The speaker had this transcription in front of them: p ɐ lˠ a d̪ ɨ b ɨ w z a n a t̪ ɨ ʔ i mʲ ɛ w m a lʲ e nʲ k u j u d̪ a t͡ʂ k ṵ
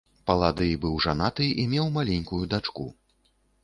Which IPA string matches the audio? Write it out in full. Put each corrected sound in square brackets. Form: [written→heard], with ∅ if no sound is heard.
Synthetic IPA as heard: p ɐ lˠ a d̪ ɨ b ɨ w [z→ʐ] a n a t̪ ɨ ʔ i mʲ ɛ w m a lʲ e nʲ k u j u d̪ a t͡ʂ k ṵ